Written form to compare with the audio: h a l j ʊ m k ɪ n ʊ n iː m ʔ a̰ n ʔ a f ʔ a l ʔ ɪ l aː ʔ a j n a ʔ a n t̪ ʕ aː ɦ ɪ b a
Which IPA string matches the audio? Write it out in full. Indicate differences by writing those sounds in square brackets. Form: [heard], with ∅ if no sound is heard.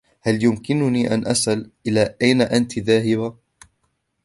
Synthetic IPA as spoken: h a l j ʊ m k ɪ n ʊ n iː [∅] ʔ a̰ n ʔ a [s] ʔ a l ʔ ɪ l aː ʔ a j n a ʔ a n t̪ [ð] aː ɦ ɪ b a